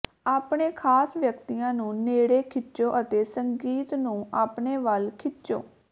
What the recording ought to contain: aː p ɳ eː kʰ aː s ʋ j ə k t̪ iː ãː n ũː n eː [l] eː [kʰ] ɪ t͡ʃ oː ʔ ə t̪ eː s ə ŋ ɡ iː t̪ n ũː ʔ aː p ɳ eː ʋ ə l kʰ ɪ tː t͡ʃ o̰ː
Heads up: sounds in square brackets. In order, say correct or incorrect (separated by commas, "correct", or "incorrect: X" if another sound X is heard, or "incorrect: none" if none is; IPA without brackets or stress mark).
incorrect: ɽ, correct